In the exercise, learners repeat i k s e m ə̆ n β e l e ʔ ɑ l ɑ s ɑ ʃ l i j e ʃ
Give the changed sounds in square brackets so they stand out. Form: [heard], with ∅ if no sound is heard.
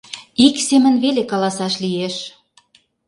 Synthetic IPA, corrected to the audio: i k s e m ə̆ n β e l e [k] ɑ l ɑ s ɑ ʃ l i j e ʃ

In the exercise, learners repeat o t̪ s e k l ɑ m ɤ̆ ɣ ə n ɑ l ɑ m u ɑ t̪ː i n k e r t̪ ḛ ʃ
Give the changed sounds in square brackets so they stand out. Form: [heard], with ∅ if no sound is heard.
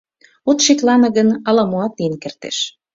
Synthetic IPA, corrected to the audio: o t̪ [ʃ] e k l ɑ [n] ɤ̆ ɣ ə n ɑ l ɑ m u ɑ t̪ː i n k e r t̪ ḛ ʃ

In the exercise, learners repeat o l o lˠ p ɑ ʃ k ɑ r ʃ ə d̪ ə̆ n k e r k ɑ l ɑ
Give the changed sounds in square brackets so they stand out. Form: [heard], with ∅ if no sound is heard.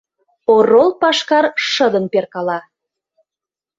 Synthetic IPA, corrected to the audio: o [r] o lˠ p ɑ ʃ k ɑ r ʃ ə d̪ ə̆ n [p] e r k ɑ l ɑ

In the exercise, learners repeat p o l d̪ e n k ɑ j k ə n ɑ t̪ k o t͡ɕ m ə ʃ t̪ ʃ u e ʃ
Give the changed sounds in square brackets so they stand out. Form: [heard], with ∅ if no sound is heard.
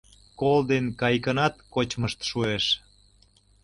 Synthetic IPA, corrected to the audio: [k] o l d̪ e n k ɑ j k ə n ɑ t̪ k o t͡ɕ m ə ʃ t̪ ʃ u e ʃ

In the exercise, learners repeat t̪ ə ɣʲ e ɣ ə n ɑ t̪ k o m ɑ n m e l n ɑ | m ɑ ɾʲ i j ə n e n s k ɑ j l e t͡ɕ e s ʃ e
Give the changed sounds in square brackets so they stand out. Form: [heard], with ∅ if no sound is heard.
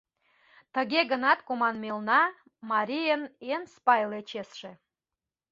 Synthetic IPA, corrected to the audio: t̪ ə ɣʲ e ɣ ə n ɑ t̪ k o m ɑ n m e l n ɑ | m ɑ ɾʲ i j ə n e n s [p] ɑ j l e t͡ɕ e s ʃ e

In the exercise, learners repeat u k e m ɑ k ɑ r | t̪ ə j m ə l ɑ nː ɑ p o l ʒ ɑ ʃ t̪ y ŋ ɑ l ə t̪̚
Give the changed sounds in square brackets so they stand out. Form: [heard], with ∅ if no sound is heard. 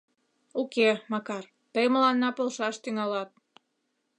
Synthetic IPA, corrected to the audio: u k e m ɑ k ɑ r | t̪ ə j m ə l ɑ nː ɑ p o l [ʃ] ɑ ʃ t̪ y ŋ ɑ l [ɑ] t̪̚

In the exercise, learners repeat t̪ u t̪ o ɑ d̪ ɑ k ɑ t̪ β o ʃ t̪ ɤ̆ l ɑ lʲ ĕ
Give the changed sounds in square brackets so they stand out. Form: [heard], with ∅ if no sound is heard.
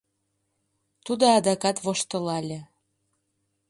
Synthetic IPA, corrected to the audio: t̪ u [d̪] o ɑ d̪ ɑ k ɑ t̪ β o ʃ t̪ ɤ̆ l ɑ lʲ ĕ

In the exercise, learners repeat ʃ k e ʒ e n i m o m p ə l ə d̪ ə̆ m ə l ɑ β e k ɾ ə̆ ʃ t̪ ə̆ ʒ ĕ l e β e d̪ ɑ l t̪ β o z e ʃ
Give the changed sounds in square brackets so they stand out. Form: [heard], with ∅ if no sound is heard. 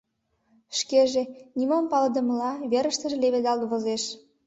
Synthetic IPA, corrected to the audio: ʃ k e ʒ e n i m o m p [ɑ] l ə d̪ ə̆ m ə l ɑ β e [∅] ɾ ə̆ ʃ t̪ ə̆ ʒ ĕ l e β e d̪ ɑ l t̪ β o z e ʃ

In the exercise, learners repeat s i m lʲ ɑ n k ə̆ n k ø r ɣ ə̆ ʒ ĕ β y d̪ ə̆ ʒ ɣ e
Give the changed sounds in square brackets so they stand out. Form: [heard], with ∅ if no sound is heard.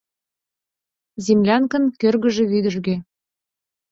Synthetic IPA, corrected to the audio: [z] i m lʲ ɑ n k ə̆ n k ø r ɣ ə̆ ʒ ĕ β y d̪ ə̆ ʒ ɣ e

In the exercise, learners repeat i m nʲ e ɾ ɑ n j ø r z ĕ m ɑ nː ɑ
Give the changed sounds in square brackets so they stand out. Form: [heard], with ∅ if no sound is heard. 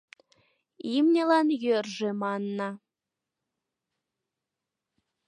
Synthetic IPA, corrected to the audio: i m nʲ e [l] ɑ n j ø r [ʒ] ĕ m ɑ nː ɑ

